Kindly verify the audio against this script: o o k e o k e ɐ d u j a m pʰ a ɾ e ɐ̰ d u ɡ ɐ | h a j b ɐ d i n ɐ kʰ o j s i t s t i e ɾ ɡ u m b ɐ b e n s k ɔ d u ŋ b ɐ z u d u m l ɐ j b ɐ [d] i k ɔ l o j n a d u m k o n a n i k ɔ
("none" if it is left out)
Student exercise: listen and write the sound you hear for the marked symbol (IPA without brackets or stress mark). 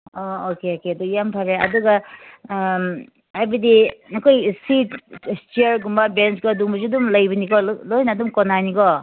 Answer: n